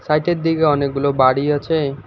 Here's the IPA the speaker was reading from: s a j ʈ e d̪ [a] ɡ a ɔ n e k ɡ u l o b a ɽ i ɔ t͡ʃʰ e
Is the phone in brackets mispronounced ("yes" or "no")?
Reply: yes